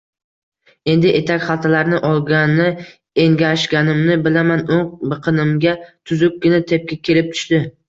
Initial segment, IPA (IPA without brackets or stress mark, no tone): e̞